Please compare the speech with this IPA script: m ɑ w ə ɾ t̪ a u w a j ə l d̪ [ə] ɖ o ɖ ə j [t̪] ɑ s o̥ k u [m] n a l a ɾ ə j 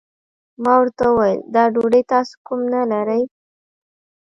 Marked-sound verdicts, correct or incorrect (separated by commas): incorrect, correct, correct